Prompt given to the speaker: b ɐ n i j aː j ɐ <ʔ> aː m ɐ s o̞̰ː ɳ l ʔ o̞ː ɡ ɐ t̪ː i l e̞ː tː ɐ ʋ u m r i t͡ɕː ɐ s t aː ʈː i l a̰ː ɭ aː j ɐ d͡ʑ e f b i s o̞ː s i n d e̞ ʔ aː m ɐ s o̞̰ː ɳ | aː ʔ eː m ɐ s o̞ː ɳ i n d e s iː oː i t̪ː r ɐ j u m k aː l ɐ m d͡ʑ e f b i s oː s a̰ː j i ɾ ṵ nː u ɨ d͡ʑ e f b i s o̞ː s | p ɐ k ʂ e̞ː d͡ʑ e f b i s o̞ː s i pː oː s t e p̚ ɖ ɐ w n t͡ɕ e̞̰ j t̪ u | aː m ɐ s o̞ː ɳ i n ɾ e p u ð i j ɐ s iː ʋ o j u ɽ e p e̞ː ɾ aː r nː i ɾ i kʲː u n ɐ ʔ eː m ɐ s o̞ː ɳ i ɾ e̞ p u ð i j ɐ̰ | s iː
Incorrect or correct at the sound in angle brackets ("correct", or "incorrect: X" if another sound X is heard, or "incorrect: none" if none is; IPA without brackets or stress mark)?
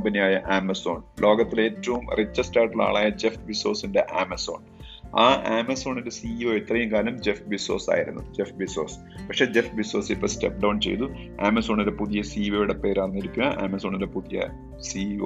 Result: correct